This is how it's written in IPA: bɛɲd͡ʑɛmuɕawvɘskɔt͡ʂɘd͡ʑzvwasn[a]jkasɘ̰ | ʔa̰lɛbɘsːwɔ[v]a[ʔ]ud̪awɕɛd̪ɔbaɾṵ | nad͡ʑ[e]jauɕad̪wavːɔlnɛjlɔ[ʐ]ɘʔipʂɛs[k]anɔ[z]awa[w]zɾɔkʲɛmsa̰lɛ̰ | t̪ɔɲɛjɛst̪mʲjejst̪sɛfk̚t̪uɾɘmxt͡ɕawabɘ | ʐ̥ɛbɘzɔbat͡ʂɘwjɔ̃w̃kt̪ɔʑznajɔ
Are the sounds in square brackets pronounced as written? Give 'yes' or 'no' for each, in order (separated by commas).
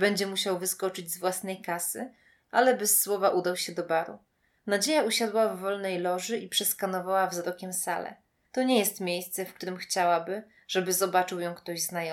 no, yes, yes, yes, yes, yes, no, no